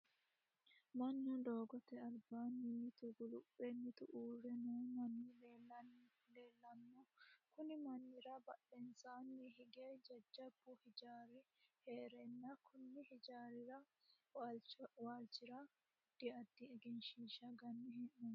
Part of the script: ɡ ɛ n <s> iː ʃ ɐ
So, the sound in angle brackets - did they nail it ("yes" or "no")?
no